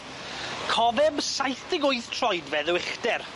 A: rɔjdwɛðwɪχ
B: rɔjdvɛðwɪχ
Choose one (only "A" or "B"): B